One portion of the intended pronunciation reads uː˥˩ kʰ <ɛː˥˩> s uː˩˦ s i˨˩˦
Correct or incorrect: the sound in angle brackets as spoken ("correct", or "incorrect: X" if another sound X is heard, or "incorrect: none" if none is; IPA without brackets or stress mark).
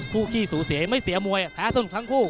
incorrect: iː˥˩